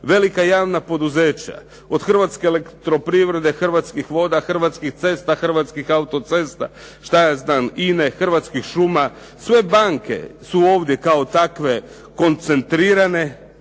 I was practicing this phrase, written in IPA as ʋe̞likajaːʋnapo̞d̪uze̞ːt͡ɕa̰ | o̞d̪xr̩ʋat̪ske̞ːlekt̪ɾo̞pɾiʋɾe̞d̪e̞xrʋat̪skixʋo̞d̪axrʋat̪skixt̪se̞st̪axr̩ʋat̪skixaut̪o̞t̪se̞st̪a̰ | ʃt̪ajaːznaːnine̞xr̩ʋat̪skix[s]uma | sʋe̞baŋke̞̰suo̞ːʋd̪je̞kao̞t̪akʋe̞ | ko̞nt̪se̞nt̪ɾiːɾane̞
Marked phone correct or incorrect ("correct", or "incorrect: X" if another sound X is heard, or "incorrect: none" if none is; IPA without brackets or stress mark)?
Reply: incorrect: ʃ